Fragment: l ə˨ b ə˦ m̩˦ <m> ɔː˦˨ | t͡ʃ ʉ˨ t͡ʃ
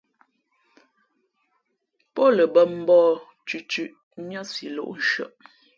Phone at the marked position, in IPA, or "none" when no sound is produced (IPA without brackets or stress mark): b